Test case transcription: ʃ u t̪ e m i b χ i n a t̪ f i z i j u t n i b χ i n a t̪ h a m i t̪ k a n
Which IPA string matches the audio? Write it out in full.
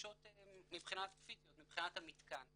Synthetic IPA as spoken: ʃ o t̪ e m i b χ i n a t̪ f i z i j o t m i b χ i n a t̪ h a m i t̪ k a n